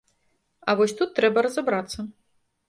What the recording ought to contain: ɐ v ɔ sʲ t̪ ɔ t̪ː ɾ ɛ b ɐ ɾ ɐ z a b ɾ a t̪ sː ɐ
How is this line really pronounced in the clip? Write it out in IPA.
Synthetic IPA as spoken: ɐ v ɔ sʲ t̪ u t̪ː ɾ ɛ b ɐ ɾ ɐ z a b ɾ a t̪ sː ɐ